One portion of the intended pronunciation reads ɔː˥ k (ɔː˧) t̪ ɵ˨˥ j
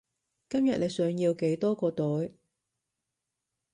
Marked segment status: correct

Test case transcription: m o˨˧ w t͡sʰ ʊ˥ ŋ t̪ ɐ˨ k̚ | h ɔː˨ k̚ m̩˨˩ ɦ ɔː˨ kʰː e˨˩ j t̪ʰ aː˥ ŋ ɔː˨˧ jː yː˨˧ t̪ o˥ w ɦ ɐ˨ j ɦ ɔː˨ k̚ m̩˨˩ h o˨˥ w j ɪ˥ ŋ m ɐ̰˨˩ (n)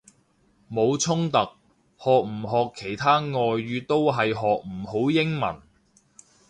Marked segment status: correct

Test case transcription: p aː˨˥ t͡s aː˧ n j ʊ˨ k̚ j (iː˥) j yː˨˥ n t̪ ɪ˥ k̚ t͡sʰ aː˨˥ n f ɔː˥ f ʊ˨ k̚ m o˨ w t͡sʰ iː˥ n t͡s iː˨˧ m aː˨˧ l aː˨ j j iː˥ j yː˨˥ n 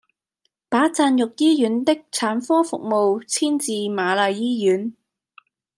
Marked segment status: correct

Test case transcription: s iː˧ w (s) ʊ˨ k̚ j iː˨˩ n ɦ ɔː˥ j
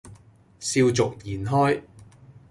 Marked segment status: incorrect: t͡s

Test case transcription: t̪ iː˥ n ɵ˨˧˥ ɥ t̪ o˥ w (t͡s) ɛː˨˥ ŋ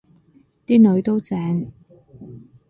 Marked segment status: correct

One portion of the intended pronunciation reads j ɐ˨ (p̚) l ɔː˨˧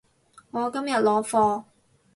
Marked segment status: incorrect: t̚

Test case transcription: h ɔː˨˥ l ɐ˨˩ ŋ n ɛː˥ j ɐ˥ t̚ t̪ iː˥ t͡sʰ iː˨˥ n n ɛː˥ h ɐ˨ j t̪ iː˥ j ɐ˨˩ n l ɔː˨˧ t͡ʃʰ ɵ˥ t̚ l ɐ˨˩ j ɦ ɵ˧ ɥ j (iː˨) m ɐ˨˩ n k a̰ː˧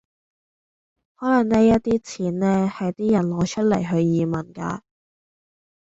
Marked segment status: correct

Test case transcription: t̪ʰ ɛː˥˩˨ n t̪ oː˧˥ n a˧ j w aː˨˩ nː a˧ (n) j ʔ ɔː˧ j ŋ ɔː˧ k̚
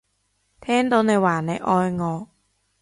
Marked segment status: incorrect: none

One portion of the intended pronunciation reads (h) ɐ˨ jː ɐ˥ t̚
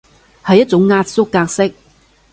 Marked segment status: correct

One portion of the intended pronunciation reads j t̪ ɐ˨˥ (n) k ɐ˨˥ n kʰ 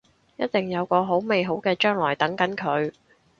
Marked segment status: incorrect: ŋ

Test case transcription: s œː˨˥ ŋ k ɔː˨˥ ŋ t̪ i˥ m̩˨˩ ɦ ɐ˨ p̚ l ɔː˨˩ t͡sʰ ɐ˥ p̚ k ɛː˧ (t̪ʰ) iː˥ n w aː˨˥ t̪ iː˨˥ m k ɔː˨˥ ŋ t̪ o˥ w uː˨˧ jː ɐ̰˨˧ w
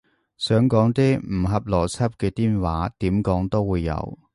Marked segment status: incorrect: t̪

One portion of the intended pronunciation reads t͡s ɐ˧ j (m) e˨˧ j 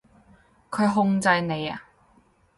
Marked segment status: incorrect: n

